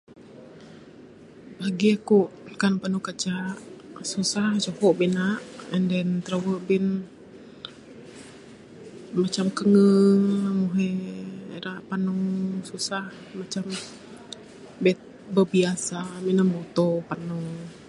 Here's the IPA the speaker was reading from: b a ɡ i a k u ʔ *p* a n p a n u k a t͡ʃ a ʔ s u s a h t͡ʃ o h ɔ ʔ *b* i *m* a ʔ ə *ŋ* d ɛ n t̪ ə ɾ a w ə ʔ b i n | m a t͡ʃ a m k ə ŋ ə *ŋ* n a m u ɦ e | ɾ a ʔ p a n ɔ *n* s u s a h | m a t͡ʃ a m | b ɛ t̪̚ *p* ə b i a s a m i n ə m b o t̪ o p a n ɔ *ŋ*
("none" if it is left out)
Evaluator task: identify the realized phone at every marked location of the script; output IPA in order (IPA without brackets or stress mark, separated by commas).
k, b, n, n, ŋ, ŋ, b, ŋ